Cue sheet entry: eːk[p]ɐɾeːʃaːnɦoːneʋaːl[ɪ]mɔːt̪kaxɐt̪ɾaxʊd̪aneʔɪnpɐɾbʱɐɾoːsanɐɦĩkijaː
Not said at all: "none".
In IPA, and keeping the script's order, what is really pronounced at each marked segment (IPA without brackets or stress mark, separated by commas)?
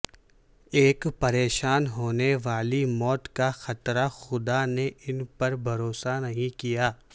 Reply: p, i